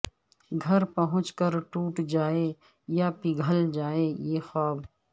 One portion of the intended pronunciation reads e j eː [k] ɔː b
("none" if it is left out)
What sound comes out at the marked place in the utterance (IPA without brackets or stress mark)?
x